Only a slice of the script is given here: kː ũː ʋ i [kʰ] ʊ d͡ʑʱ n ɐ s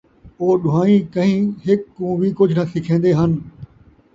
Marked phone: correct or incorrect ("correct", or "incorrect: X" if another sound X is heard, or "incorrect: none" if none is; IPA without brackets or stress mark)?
incorrect: k